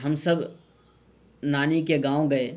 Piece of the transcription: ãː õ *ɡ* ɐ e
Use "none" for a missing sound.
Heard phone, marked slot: ɡ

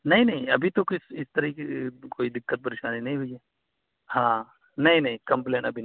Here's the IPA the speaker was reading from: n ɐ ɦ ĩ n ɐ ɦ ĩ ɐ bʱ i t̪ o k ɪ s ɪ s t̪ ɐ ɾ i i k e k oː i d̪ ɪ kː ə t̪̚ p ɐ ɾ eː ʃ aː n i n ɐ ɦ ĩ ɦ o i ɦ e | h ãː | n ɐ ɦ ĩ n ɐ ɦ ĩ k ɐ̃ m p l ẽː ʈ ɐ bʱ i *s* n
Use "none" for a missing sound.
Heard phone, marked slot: none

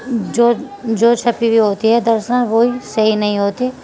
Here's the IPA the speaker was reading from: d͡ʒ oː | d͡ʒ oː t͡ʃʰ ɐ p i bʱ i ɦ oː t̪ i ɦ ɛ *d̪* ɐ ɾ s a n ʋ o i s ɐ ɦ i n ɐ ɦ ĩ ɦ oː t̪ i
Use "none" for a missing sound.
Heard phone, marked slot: d̪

